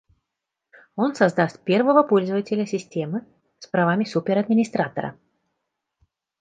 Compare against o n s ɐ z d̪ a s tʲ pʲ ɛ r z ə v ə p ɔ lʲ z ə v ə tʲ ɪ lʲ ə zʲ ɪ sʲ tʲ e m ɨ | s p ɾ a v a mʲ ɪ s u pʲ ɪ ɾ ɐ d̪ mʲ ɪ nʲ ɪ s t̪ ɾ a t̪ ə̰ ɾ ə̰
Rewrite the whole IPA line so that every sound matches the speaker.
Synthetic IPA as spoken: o n s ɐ z d̪ a s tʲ pʲ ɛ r v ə v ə p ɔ lʲ z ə v ə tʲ ɪ lʲ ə sʲ ɪ sʲ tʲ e m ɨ | s p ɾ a v a mʲ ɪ s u pʲ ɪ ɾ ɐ d̪ mʲ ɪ nʲ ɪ s t̪ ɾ a t̪ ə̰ ɾ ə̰